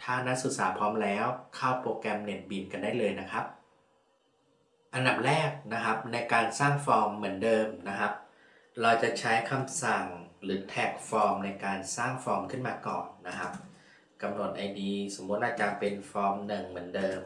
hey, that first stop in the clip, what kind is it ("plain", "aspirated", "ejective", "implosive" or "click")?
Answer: aspirated